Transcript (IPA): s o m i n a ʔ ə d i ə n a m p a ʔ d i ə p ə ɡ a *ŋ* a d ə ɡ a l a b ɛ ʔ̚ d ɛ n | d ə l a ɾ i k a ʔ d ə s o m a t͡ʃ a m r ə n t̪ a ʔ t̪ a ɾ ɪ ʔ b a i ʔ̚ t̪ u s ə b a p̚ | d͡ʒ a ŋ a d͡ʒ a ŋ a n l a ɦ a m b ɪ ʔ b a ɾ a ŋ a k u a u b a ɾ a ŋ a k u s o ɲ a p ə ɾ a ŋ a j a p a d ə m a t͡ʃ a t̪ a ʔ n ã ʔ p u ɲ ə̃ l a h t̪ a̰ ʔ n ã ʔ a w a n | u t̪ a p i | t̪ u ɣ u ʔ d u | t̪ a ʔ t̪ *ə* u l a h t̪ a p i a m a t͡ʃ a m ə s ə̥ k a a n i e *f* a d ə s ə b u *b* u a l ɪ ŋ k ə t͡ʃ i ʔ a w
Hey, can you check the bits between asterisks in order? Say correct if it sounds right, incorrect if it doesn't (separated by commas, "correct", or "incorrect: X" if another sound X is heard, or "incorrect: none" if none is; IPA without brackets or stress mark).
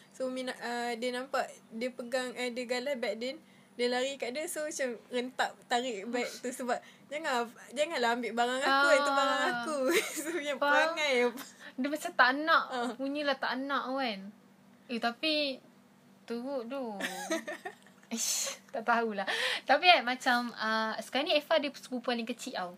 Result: correct, incorrect: a, correct, incorrect: p